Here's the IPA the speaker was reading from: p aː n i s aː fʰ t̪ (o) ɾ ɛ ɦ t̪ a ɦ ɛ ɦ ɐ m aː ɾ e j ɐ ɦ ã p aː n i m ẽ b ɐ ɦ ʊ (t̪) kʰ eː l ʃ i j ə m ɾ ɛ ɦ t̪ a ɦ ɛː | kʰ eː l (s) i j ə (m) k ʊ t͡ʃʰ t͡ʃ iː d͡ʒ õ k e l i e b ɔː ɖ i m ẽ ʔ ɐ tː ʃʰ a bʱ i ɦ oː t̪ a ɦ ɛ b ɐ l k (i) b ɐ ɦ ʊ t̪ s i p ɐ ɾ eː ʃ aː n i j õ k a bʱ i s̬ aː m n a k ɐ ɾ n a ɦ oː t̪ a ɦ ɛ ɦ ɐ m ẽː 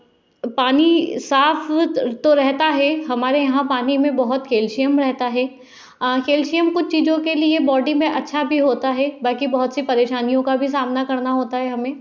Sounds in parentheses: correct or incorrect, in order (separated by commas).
correct, correct, incorrect, correct, correct